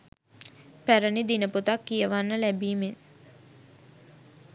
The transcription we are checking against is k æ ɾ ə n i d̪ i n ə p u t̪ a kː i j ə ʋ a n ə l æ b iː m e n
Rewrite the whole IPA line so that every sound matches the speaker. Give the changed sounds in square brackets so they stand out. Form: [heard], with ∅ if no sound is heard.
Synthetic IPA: [p] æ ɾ ə n i d̪ i n ə p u t̪ a kː i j ə ʋ a [nː] ə l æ b iː m e n